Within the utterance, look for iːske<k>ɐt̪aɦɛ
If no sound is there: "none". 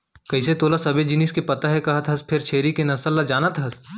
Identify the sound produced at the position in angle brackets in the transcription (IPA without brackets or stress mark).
p